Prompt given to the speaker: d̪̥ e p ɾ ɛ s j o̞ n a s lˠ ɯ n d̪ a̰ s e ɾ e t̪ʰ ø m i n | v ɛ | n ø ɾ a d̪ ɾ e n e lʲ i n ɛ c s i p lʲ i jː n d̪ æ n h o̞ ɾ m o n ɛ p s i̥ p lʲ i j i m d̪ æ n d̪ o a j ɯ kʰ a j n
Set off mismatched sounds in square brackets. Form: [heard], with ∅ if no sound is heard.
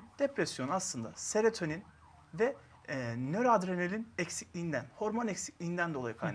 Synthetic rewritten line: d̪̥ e p ɾ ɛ s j o̞ n a s lˠ ɯ n d̪ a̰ s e ɾ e t̪ʰ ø [n] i n | v ɛ | n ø ɾ a d̪ ɾ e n e lʲ i n ɛ c s i [c] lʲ i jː n d̪ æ n h o̞ ɾ m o n ɛ [c] s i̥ [c] lʲ i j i [n] d̪ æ n d̪ o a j ɯ kʰ a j n

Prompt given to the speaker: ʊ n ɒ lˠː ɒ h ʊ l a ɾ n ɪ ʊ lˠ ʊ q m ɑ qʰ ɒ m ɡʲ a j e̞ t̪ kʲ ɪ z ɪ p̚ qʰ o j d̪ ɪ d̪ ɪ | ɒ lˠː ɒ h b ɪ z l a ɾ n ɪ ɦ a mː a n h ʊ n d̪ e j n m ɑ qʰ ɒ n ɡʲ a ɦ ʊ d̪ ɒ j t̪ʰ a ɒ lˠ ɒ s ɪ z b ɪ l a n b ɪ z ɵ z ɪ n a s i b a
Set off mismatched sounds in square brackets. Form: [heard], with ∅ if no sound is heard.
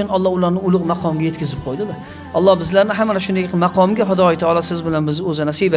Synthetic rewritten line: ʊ n ɒ lˠː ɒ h ʊ l a ɾ n ɪ ʊ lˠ ʊ q m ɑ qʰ ɒ m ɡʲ a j e̞ t̪ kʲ ɪ z ɪ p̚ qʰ o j d̪ ɪ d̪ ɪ | ɒ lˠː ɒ h b ɪ z l a ɾ n ɪ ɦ a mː a n [ʃ] ʊ n d̪ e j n m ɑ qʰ ɒ [m] ɡʲ a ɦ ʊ d̪ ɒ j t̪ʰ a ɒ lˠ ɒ s ɪ z b ɪ l a n b ɪ z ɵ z ɪ n a s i b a

